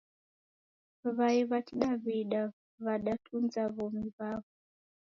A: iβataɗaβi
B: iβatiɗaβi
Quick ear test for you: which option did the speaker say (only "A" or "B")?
B